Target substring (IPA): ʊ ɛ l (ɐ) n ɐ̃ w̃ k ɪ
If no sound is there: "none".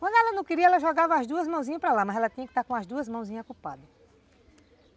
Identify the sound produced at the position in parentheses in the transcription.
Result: ɐ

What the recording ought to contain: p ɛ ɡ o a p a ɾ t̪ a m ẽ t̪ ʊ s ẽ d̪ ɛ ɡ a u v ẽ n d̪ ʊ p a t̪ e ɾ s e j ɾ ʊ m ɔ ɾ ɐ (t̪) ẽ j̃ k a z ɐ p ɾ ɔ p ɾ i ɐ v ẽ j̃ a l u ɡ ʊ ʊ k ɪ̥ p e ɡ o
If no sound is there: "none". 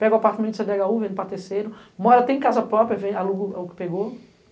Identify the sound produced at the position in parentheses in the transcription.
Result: t̪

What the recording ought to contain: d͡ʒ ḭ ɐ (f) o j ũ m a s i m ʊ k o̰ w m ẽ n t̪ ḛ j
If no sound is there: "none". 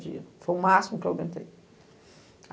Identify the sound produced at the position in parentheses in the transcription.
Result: f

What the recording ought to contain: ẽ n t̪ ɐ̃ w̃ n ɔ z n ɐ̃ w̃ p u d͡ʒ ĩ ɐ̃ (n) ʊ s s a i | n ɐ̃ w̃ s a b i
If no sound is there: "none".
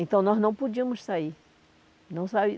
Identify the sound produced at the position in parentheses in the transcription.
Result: m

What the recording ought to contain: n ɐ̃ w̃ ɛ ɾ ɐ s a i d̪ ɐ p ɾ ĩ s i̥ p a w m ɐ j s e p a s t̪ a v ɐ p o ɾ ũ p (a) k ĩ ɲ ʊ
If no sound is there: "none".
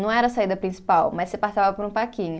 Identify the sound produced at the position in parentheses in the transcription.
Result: a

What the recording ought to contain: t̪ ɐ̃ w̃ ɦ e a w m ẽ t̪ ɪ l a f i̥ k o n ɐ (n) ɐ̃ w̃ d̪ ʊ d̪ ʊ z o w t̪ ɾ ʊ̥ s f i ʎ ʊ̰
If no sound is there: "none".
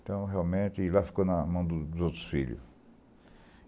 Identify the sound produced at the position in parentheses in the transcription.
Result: m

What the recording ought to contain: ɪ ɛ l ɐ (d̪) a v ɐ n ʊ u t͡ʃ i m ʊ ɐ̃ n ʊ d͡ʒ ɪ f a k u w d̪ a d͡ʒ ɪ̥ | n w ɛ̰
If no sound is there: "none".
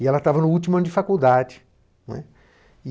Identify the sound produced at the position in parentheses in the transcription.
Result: t̪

